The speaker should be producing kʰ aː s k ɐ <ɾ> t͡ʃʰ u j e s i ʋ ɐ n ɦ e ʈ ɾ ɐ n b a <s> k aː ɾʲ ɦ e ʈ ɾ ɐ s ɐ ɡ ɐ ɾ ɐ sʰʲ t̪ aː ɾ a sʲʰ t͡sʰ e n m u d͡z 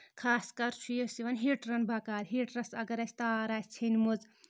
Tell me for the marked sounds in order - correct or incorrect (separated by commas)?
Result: correct, incorrect